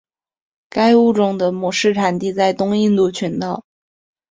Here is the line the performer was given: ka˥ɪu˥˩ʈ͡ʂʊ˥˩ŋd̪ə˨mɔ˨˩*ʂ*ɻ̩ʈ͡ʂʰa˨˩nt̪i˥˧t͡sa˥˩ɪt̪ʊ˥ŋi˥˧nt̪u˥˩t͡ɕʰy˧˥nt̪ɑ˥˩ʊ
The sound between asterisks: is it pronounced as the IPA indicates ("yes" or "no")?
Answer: yes